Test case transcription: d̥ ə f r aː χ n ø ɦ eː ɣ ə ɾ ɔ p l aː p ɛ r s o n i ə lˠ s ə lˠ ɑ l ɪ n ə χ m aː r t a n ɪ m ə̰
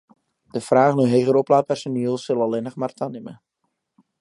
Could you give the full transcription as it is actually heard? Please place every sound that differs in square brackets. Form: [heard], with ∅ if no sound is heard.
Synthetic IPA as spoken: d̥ ə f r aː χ n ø ɦ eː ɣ ə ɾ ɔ p l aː p ɛ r s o n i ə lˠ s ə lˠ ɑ l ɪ n ə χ m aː r t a n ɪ m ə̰